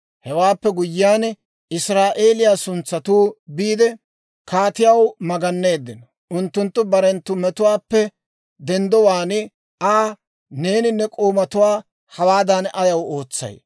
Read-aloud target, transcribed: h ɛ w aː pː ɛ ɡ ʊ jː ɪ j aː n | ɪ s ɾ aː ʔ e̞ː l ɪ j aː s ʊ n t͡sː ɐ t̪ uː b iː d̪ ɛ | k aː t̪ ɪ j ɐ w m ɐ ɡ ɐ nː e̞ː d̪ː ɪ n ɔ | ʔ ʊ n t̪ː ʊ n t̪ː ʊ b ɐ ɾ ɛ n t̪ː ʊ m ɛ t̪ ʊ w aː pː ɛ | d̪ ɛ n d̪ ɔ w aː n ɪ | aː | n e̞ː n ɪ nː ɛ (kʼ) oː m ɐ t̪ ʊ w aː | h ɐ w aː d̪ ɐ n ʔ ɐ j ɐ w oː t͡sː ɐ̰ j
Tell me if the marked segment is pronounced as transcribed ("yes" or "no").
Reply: yes